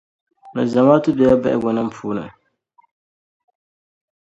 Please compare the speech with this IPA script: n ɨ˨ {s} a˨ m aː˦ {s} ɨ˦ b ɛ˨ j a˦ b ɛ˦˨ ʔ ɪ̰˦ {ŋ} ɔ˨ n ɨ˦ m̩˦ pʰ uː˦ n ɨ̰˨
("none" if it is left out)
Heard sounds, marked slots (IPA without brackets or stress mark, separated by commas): z, t, ɡ